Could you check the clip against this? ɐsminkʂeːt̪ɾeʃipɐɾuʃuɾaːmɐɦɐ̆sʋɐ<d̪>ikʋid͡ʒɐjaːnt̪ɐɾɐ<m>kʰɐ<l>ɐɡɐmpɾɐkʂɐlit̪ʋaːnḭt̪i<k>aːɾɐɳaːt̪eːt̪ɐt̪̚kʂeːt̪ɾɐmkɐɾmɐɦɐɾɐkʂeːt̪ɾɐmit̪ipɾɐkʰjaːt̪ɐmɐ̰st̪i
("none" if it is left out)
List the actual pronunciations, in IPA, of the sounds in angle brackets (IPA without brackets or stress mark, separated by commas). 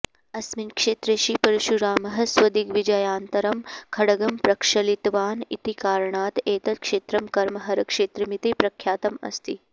d̪, m, ɽ, k